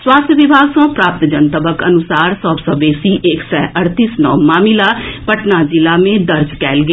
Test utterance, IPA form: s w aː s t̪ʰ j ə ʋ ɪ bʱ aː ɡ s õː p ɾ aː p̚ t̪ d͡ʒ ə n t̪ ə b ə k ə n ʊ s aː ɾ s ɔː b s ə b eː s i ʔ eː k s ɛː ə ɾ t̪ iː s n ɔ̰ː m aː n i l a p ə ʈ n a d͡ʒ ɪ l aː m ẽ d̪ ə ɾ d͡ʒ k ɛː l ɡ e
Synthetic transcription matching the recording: s w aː s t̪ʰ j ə ʋ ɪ bʱ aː ɡ s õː p ɾ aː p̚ t̪ d͡ʒ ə n t̪ ə b ə k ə n ʊ s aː ɾ s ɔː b s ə b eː s i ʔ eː k s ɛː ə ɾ t̪ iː s n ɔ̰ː m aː m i l a p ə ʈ n a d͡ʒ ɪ l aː m ẽ d̪ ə ɾ d͡ʒ k ɛː l ɡ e